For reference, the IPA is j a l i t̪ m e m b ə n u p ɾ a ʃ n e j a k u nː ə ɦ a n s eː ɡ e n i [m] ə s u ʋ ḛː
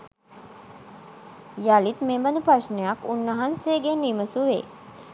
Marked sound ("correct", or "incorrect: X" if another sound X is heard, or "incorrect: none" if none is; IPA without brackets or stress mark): correct